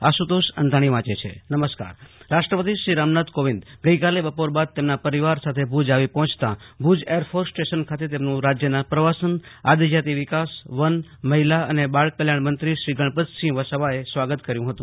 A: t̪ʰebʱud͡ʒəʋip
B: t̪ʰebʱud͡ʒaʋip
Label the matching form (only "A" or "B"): B